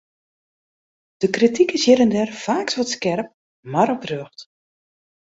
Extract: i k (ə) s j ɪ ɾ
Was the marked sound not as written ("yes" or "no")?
no